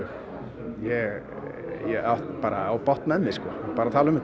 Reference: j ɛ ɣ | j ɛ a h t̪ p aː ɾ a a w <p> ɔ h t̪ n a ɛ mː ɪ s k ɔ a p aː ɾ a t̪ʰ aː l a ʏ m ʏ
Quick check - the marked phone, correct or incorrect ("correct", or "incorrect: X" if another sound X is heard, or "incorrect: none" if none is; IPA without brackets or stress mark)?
correct